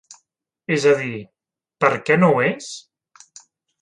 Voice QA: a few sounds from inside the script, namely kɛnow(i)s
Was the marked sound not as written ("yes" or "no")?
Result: yes